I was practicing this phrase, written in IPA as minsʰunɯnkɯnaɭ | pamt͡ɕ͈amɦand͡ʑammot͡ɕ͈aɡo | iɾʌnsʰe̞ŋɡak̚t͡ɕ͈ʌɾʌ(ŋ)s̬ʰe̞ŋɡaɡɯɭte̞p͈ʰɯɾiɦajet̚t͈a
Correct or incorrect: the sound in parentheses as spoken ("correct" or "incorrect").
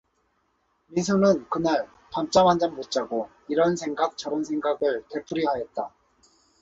incorrect